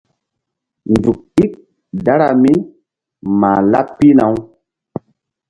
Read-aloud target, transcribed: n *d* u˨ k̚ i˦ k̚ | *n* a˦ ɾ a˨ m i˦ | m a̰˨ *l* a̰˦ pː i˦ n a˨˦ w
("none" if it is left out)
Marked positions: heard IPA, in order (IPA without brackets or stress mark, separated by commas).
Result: d, d, l